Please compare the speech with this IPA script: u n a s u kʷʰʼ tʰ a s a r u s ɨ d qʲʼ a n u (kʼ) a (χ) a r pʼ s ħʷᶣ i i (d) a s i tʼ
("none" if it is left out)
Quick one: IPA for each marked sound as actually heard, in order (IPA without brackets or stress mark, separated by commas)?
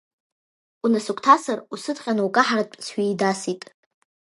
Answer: kʼ, ħ, d